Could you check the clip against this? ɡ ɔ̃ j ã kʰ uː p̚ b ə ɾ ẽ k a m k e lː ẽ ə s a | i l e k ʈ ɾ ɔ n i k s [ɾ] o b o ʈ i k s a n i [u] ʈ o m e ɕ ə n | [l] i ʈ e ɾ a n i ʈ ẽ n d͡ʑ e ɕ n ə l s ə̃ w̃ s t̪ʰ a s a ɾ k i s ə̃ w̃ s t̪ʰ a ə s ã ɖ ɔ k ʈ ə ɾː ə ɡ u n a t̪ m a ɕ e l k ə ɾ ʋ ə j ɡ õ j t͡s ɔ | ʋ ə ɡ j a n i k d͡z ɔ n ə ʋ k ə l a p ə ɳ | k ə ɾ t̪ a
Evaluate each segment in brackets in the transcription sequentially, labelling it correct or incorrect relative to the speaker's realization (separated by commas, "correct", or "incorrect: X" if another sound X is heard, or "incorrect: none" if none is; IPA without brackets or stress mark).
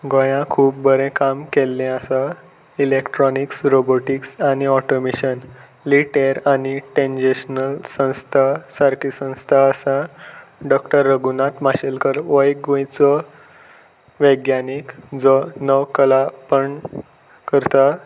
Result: correct, incorrect: ɔ, correct